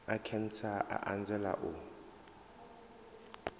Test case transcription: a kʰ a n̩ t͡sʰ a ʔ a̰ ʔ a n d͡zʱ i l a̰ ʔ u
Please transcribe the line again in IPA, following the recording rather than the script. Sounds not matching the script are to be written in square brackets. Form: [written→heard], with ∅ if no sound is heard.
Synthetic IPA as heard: a kʰ [a→ɛ] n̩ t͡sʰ a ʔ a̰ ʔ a n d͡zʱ [i→ɛ] l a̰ ʔ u

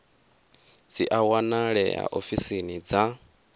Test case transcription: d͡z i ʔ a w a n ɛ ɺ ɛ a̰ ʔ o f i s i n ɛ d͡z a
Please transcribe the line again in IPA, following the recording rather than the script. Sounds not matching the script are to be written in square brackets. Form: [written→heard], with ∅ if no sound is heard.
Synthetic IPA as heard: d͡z i ʔ a w a n [ɛ→a] ɺ ɛ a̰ ʔ o f i s i n [ɛ→i] d͡z a

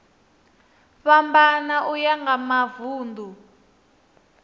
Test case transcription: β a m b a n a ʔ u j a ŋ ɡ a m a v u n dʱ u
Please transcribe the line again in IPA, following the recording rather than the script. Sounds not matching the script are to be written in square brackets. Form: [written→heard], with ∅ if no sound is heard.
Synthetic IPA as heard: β a m b a n a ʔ u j a ŋ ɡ a m a v [u→uː] n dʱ u

